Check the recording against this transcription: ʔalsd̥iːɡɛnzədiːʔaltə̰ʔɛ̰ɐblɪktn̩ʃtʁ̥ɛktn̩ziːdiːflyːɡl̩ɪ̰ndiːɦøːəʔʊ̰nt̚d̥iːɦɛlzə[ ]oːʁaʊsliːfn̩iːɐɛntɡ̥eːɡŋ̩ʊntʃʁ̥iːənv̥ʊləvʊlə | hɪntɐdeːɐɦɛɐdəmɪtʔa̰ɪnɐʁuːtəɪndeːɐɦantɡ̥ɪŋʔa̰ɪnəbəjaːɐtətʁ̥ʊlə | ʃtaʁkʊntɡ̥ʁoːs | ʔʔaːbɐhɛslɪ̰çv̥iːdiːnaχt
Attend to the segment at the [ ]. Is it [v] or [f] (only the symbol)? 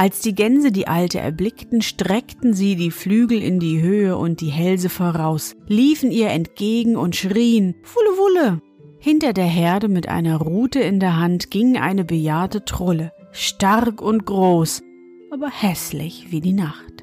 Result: f